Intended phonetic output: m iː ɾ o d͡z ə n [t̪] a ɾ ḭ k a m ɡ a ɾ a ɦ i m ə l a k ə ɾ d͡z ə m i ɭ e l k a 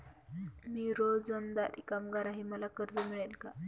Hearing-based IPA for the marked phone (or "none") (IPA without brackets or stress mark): d̪